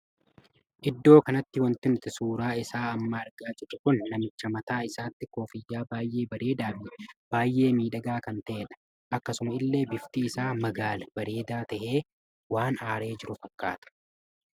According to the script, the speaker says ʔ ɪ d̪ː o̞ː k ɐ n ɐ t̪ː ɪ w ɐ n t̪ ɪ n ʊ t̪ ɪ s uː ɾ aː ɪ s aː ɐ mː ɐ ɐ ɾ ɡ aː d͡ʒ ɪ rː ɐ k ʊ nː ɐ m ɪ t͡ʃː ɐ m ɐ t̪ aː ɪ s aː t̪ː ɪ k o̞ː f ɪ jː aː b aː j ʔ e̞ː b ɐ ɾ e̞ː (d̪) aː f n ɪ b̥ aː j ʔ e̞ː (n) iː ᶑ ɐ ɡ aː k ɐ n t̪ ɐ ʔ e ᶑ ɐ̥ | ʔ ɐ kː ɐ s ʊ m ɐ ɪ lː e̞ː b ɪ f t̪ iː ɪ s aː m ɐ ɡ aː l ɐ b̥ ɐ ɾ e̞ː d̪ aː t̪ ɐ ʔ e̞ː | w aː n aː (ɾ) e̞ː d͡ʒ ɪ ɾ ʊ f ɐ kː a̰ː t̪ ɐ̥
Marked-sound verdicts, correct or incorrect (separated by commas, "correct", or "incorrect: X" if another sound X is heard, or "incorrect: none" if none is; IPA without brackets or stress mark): correct, incorrect: m, correct